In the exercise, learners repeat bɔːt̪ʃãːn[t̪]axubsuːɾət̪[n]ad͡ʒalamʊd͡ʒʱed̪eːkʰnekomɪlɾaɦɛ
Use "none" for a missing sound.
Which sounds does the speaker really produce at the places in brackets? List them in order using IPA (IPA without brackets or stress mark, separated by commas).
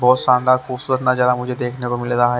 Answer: d̪, n